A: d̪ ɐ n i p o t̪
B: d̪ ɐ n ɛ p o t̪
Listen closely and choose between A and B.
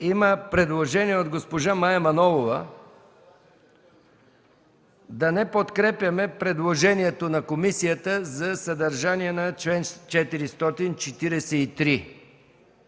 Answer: B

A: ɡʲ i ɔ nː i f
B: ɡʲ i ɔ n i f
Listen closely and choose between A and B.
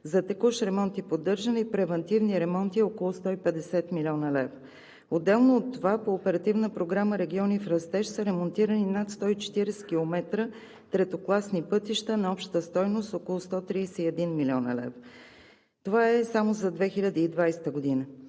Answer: B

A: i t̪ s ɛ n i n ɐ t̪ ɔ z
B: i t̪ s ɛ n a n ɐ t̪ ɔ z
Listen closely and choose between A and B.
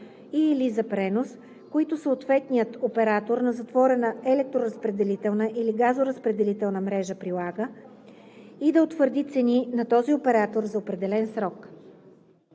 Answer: A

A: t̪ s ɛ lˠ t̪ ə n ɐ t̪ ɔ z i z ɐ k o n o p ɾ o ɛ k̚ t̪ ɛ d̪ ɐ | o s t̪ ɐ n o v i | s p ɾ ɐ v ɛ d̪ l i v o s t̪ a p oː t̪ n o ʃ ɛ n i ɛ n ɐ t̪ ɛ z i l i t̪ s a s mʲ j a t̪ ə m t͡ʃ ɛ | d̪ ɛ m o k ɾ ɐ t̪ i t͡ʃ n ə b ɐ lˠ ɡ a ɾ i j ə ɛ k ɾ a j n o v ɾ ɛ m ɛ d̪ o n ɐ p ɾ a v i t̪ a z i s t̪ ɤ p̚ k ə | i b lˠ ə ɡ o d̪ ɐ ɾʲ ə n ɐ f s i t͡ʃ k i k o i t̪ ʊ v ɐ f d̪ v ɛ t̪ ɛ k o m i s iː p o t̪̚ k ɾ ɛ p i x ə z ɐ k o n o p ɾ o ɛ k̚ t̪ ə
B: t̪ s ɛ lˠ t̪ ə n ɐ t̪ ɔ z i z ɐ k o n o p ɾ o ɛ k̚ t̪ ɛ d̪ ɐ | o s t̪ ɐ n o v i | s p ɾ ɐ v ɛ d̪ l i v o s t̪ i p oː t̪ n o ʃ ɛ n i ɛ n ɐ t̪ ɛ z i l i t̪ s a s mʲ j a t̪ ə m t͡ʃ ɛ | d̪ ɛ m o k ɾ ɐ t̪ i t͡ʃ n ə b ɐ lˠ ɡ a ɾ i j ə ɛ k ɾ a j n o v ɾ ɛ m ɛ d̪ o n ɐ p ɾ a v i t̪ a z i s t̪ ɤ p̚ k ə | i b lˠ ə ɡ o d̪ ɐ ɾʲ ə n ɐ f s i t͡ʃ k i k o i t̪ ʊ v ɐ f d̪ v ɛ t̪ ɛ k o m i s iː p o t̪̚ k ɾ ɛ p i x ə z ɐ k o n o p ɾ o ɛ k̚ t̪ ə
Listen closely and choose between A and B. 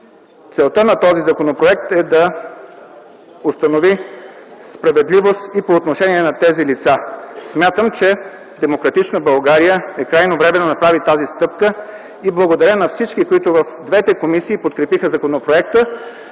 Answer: B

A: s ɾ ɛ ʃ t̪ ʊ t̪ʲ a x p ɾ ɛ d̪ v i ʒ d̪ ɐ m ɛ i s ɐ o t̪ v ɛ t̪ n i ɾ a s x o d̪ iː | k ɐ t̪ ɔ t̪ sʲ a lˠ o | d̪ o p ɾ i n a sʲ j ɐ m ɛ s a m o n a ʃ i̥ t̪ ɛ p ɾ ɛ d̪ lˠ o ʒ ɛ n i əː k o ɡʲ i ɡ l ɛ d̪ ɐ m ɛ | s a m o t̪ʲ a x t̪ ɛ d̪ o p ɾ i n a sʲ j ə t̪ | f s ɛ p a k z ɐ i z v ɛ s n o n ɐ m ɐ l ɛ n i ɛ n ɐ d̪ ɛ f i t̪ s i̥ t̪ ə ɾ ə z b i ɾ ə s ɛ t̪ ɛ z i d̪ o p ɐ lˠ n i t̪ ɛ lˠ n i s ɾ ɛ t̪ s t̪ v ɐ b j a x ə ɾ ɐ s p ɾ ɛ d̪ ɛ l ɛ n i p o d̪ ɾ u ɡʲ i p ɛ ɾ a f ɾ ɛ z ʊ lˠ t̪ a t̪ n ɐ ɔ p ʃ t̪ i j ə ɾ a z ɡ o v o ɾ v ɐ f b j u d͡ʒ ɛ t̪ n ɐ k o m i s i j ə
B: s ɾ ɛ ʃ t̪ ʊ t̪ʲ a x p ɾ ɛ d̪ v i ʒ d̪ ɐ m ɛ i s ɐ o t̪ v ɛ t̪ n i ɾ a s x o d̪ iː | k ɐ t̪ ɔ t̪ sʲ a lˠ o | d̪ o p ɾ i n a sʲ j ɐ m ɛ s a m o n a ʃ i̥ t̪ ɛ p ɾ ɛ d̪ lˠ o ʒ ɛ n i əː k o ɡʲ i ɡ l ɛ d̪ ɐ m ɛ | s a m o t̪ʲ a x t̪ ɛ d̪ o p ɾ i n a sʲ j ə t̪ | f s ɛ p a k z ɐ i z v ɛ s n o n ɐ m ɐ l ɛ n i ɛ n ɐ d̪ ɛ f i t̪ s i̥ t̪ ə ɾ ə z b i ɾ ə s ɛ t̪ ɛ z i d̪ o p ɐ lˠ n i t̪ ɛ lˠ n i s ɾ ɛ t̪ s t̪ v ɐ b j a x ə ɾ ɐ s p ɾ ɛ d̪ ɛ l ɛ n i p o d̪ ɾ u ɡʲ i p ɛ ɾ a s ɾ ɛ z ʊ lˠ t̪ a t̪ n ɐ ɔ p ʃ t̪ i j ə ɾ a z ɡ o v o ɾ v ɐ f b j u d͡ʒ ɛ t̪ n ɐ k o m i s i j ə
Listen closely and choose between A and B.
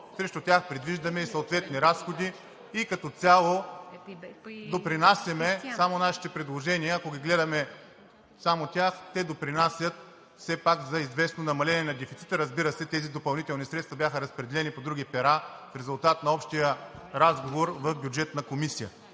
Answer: A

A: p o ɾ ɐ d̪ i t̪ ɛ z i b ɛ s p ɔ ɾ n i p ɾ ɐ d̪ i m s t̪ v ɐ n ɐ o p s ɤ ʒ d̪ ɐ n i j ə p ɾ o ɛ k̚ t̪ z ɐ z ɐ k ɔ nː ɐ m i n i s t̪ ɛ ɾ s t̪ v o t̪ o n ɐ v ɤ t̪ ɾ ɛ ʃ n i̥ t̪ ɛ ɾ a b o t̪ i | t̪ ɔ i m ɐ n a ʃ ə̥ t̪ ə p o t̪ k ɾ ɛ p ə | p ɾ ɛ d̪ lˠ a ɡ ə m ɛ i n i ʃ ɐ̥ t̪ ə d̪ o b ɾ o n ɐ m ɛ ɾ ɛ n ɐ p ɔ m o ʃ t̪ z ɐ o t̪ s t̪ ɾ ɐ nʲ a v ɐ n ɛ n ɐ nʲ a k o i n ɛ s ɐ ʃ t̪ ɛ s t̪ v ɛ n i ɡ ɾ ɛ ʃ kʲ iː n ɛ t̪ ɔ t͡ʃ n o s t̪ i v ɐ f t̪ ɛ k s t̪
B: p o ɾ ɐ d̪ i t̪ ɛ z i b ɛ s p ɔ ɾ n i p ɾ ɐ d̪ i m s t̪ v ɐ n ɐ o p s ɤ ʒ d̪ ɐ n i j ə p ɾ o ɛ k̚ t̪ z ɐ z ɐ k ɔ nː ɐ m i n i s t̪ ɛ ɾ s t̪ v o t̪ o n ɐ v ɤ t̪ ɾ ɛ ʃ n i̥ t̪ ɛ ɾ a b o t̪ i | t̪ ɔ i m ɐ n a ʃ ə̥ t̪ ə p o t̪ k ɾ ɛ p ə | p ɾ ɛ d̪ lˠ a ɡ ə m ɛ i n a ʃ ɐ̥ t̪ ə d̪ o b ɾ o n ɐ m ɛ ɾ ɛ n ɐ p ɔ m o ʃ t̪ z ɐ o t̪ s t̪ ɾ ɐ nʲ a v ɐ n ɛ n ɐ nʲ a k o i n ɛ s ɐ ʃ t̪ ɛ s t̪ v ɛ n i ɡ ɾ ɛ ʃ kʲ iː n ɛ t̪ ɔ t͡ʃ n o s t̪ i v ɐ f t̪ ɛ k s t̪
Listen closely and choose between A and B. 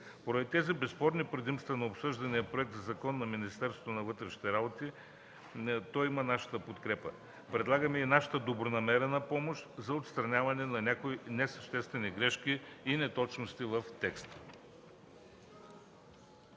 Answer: B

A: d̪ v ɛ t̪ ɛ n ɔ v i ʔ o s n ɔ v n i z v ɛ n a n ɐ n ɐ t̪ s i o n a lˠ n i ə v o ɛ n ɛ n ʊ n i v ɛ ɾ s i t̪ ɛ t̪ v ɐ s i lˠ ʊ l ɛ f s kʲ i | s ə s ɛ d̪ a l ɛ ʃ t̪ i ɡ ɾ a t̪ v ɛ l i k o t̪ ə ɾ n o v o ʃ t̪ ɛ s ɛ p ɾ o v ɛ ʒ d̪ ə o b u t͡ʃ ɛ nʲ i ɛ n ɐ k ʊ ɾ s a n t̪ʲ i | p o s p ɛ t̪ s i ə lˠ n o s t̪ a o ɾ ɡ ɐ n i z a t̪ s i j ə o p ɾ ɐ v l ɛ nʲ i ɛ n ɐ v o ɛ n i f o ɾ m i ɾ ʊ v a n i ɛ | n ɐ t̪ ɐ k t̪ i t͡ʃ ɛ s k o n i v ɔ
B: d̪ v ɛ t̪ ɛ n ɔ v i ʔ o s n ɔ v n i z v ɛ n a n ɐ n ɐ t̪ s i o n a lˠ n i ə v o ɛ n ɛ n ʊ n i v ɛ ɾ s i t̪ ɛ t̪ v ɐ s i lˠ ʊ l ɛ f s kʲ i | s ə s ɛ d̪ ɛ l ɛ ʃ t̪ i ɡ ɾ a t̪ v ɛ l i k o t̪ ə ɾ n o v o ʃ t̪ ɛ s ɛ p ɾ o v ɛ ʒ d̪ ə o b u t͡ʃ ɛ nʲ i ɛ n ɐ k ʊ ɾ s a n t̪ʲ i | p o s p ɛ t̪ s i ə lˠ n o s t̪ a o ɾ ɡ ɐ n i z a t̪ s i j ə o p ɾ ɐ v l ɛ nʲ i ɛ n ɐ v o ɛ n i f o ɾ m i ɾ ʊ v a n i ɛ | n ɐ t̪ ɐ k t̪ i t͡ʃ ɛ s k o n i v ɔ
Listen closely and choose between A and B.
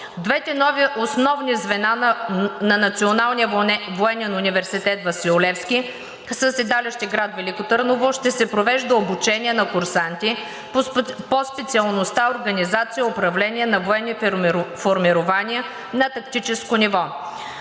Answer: A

